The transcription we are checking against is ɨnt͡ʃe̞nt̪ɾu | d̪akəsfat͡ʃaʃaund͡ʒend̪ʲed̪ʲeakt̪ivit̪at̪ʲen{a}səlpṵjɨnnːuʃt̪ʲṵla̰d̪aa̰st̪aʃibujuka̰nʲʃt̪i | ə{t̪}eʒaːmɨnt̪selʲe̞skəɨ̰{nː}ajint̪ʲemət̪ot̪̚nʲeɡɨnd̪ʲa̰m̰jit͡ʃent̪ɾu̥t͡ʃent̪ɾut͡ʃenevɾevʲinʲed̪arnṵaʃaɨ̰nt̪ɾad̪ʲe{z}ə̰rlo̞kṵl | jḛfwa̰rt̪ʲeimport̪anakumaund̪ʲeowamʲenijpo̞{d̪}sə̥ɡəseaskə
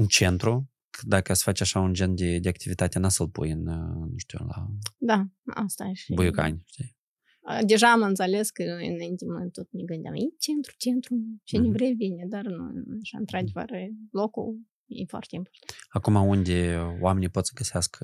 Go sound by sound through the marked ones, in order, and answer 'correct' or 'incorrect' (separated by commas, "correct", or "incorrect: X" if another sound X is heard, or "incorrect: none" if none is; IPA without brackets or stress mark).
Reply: correct, incorrect: d̪, incorrect: n, incorrect: v, incorrect: t̪